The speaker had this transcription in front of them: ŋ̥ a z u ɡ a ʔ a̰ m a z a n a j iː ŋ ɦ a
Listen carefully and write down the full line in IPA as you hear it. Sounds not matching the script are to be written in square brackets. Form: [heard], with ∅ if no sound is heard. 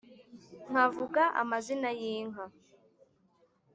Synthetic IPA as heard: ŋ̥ a [v] u ɡ a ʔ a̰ m a z [i] n a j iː ŋ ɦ a